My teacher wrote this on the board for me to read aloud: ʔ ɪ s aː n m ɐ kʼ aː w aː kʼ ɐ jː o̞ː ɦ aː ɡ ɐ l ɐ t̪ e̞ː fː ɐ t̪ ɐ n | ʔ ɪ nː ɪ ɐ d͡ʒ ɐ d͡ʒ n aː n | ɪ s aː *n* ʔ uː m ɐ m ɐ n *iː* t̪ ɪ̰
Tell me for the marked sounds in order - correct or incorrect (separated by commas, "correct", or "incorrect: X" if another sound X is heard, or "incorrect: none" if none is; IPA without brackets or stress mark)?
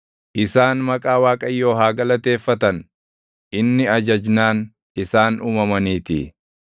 correct, correct